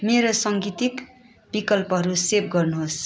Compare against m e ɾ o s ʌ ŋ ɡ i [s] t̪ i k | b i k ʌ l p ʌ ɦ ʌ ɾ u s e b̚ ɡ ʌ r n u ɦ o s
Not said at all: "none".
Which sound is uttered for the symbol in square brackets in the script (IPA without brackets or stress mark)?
none